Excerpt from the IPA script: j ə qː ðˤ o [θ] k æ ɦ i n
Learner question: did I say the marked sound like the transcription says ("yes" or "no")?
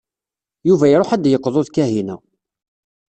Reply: no